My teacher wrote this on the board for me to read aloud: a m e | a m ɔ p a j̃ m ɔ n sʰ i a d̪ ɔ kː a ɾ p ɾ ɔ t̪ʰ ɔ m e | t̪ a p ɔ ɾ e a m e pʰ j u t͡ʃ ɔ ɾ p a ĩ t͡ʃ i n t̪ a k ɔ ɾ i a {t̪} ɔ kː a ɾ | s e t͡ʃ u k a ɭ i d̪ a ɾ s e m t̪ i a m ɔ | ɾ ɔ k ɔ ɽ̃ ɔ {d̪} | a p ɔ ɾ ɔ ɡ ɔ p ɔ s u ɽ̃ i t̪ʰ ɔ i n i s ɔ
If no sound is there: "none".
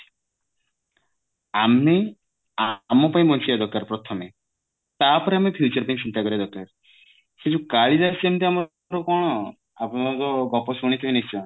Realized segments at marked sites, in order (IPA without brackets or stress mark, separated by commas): d̪, none